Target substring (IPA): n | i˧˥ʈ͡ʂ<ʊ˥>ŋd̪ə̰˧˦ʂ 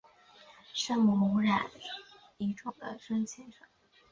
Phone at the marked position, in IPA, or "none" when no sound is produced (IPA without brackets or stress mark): ʊ˨˩